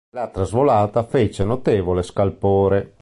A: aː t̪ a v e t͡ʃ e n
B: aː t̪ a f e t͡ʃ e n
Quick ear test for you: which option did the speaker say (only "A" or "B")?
B